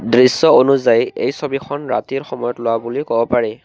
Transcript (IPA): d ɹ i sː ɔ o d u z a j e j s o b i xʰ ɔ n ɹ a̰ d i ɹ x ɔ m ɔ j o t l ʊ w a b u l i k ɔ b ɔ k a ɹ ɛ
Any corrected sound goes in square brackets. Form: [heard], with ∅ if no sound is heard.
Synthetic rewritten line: d ɹ i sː ɔ o [n] u z a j e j s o b i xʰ ɔ n ɹ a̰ [t] i ɹ x ɔ m ɔ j [ɔ] t l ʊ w a b u l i k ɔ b ɔ [p] a ɹ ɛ